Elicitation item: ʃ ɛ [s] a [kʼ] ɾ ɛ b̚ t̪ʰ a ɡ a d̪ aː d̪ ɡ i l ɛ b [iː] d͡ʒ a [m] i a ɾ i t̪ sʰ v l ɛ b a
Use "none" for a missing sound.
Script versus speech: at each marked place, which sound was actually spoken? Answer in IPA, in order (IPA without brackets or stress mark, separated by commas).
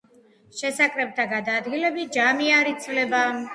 s, kʼ, i, m